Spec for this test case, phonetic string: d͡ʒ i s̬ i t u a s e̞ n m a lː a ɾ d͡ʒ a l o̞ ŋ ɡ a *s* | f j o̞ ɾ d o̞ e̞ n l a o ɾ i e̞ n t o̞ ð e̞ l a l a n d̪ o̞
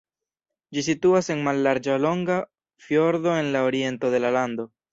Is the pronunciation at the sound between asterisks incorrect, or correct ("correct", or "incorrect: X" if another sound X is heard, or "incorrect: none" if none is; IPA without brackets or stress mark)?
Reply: incorrect: none